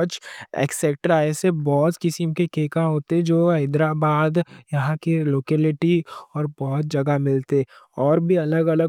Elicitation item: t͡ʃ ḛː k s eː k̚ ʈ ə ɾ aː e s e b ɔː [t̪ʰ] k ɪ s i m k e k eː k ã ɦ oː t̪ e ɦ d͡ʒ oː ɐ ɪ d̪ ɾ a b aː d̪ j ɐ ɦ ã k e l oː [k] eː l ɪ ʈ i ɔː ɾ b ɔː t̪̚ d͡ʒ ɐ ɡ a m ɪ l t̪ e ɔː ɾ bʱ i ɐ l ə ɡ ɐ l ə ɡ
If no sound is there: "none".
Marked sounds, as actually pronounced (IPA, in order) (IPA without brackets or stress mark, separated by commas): t̪, k